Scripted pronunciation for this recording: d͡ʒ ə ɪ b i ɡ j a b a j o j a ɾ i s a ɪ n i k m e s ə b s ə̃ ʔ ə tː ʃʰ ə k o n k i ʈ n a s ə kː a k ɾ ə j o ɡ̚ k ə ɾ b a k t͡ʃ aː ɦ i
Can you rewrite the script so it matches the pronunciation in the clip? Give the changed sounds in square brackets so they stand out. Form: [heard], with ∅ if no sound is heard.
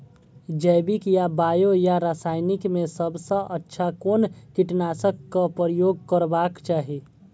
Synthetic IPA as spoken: d͡ʒ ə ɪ b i [k] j a b a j o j a ɾ [a] s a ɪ n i k m e s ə b s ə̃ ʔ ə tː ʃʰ [a] k o n k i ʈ n a s ə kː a [p] ɾ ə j o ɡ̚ k ə ɾ b a k t͡ʃ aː ɦ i